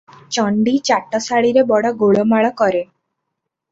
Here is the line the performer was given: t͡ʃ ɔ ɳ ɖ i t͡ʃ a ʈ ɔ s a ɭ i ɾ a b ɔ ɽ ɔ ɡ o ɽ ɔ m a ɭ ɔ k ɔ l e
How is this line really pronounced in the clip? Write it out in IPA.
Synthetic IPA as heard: t͡ʃ ɔ ɳ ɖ i t͡ʃ a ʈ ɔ s a ɭ i ɾ e b ɔ ɽ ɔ ɡ o ɭ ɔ m a ɭ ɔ k ɔ ɾ e